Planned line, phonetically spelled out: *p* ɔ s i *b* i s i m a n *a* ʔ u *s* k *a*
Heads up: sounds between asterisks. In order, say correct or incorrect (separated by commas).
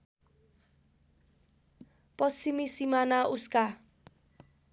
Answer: correct, incorrect, correct, correct, correct